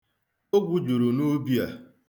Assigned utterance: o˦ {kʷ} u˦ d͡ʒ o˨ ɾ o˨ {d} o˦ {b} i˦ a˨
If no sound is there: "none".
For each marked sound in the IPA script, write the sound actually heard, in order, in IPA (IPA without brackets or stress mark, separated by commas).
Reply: ɡʷ, n, b